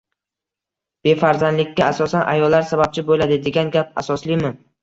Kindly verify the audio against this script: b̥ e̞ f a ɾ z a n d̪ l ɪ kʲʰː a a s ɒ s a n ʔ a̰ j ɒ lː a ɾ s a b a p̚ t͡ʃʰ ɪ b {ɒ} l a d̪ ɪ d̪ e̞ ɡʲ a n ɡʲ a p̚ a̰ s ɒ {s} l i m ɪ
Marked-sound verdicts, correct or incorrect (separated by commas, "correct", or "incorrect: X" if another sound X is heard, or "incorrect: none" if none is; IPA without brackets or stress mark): incorrect: o, correct